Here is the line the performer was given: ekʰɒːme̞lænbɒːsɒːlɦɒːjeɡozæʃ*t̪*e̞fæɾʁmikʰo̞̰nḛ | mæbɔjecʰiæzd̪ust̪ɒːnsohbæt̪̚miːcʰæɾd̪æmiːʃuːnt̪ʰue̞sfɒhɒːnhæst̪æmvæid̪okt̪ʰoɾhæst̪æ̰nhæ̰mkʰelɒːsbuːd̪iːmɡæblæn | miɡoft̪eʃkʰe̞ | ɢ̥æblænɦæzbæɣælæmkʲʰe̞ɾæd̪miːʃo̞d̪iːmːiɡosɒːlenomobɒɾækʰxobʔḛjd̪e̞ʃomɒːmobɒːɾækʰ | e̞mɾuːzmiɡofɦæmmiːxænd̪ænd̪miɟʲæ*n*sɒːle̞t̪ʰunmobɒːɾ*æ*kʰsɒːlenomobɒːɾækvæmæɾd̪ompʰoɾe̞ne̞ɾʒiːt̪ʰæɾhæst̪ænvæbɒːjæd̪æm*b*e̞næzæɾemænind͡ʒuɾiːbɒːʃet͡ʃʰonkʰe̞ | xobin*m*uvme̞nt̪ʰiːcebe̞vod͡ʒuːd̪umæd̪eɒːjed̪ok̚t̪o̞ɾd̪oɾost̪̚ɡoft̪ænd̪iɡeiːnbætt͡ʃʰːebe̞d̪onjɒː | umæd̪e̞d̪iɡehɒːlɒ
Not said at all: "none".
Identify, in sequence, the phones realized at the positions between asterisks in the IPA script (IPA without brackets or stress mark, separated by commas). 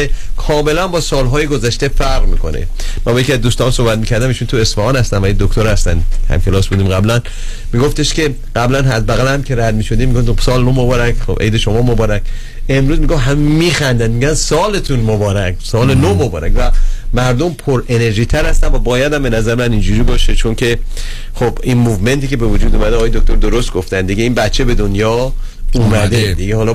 t̪, n, æ, b, m